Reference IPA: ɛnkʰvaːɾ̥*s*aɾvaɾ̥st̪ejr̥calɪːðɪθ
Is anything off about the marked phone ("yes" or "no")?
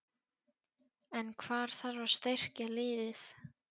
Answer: yes